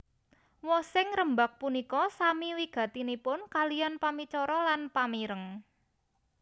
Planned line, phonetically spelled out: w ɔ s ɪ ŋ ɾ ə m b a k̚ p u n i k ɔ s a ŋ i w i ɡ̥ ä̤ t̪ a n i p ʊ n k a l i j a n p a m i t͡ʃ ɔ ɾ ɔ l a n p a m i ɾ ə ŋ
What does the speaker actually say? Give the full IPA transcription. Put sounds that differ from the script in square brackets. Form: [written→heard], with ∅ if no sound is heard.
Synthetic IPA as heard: w ɔ s ɪ ŋ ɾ ə m b a k̚ p u n i k ɔ s a [ŋ→m] i w i ɡ̥ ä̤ t̪ [a→i] n i p ʊ n k a l i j a n p a m i t͡ʃ ɔ ɾ ɔ l a n p a m i ɾ ə ŋ